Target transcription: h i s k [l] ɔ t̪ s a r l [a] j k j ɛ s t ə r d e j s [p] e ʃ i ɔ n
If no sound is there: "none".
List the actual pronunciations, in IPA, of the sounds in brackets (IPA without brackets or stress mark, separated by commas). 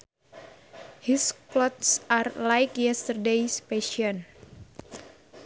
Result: l, a, p